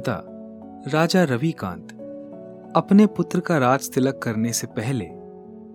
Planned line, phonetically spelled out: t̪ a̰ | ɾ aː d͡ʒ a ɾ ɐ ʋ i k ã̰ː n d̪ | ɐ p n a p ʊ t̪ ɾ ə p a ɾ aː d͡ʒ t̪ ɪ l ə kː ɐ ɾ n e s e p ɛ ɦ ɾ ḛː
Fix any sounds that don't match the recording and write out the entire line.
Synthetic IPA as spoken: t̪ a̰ | ɾ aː d͡ʒ a ɾ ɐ ʋ i k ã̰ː n t̪ | ɐ p n e p ʊ t̪ ɾ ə k a ɾ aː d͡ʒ t̪ ɪ l ə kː ɐ ɾ n e s e p ɛ ɦ l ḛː